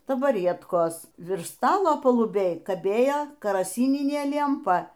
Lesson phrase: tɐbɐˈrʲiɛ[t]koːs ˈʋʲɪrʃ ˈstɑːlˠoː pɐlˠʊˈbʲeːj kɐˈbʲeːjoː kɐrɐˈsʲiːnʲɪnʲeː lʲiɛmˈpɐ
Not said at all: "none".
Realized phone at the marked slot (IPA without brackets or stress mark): t